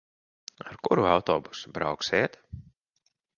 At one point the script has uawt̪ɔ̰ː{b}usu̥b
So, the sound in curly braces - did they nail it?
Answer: yes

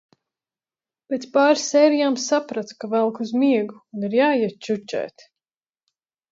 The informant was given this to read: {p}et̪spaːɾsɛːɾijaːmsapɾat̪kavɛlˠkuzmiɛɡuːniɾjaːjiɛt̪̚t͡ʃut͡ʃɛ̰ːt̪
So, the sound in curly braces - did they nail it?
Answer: yes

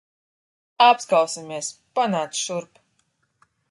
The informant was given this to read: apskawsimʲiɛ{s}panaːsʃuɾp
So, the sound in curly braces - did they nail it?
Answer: yes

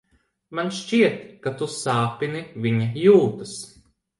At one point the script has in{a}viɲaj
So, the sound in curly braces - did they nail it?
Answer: no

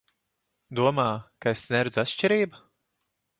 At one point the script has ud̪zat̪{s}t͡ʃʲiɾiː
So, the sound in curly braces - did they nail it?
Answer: no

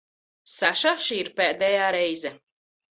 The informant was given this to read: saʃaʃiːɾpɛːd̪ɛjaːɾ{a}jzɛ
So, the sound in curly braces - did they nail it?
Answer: no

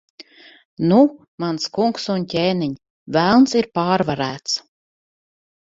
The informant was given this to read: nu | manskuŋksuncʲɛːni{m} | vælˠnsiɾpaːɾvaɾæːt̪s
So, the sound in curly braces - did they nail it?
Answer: no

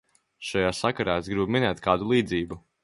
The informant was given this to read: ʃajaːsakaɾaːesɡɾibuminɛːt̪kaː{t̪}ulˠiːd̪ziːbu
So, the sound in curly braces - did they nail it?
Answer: no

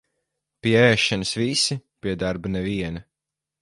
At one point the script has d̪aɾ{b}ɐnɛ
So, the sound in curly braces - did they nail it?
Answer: yes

